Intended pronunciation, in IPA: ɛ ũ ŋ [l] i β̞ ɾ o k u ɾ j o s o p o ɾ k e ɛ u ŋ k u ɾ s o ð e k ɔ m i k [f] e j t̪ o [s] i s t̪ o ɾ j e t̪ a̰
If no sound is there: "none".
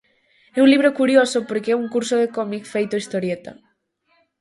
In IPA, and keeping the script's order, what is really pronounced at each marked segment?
l, f, none

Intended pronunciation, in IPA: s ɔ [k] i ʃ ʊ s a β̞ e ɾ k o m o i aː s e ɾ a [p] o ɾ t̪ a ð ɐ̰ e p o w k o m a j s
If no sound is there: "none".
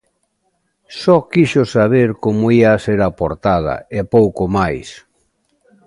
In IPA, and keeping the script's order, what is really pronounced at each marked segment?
k, p

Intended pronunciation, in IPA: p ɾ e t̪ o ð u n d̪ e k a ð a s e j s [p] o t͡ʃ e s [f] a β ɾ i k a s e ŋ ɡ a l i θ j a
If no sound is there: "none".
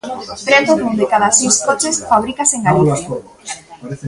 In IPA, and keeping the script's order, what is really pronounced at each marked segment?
k, f

